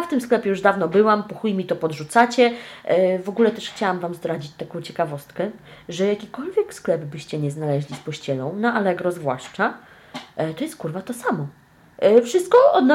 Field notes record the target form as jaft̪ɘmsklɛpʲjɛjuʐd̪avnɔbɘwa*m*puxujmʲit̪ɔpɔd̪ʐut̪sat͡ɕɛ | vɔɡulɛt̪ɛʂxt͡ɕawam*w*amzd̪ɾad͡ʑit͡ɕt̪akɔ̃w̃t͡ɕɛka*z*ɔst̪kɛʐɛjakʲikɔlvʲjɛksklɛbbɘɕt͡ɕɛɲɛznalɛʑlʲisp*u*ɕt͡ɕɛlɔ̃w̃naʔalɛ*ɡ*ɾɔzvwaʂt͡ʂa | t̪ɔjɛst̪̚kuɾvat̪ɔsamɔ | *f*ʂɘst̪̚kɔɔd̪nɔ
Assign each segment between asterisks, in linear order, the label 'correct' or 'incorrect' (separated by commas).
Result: correct, incorrect, incorrect, incorrect, correct, correct